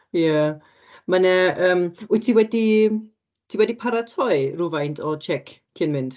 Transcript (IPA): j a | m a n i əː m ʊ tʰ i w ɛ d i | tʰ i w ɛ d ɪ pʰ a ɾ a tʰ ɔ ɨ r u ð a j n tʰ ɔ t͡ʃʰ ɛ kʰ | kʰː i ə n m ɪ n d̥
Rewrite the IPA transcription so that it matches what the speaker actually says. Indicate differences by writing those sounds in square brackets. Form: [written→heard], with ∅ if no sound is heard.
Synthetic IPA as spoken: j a | m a n [i→ɛ] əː m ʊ tʰ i w ɛ d i | tʰ i w ɛ d [ɪ→i] pʰ a ɾ a tʰ ɔ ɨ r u [ð→v] a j n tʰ ɔ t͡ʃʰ ɛ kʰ | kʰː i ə n m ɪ n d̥